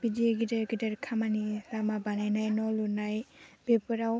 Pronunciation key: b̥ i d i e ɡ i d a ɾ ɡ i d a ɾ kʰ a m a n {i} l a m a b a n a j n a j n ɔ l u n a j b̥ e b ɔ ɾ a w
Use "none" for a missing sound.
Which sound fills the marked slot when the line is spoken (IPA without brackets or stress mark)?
i